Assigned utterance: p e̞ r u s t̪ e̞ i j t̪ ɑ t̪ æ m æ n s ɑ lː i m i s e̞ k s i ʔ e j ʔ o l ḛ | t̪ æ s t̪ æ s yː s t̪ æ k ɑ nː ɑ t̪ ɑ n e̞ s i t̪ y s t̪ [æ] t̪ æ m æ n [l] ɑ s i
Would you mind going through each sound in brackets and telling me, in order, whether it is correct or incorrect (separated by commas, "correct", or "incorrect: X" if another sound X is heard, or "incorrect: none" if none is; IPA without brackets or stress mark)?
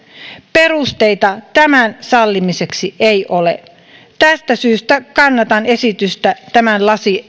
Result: correct, correct